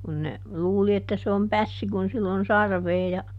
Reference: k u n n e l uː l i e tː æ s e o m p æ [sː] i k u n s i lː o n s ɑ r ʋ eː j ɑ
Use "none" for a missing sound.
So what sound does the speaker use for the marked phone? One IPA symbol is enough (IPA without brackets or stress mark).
sː